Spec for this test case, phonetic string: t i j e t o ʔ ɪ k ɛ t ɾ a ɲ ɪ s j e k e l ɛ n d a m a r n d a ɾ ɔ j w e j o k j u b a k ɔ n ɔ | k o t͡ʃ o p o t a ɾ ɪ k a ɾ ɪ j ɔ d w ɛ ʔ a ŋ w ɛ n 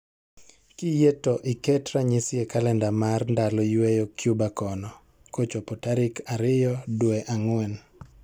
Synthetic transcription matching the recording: k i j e t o ʔ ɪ k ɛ t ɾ a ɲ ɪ s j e k a l ɛ n d a m a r n d a l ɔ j w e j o k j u b a k ɔ n ɔ | k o t͡ʃ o p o t a ɾ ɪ k a ɾ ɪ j ɔ d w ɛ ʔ a ŋ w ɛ n